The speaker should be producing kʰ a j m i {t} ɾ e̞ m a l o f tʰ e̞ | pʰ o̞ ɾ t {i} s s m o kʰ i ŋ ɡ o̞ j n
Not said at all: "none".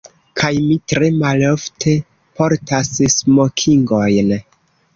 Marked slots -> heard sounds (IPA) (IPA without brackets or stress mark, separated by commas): t, a